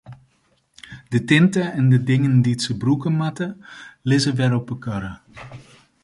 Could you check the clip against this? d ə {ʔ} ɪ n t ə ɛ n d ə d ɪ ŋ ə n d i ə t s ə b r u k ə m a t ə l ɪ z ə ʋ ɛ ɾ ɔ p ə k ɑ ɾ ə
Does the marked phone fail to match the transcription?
yes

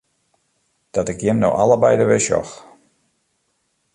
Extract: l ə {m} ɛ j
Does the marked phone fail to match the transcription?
yes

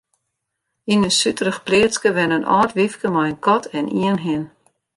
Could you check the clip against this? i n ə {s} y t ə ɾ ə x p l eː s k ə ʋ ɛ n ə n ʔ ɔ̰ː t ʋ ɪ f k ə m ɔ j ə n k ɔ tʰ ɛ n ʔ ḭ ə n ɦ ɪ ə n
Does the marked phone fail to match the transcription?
no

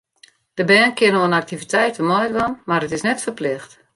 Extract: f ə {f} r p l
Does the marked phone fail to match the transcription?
yes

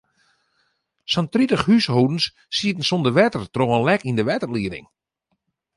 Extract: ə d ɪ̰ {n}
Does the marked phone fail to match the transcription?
yes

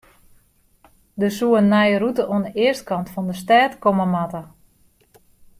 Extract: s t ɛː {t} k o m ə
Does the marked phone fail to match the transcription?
no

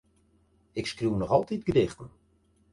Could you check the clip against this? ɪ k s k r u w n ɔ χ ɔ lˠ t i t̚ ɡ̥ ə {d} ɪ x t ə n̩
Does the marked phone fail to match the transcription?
no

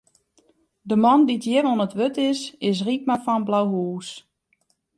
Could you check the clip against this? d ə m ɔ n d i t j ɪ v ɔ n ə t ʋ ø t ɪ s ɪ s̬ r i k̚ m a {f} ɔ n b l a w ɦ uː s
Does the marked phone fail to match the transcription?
no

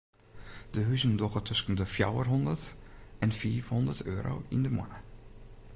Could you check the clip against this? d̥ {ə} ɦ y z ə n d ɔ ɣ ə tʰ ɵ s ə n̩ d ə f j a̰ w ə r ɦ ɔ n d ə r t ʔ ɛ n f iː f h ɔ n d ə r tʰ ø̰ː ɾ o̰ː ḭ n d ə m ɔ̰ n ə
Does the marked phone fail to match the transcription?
no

